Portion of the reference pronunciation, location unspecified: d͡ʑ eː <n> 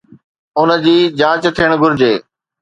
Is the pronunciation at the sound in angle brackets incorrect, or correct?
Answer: incorrect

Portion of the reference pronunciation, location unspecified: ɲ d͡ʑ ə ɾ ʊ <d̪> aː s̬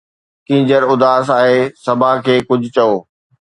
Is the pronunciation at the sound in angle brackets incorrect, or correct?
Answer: correct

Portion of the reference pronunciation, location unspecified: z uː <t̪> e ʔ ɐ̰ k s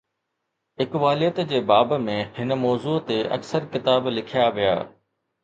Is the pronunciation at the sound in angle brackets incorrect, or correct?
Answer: correct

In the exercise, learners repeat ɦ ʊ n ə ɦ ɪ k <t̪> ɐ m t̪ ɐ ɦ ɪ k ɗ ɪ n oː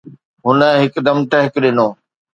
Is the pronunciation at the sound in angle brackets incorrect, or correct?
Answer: incorrect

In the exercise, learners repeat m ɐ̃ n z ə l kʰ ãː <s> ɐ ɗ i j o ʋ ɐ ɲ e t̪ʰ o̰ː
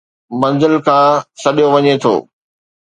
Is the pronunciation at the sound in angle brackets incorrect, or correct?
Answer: correct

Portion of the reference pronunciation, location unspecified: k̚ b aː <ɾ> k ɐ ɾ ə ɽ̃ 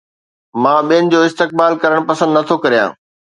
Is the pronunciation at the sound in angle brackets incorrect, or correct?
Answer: incorrect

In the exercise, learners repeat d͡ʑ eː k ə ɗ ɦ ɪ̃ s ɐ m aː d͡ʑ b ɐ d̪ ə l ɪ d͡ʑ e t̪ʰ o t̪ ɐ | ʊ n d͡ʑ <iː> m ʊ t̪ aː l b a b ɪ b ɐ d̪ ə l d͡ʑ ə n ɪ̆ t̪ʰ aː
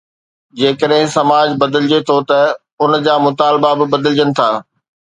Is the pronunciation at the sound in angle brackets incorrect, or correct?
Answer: incorrect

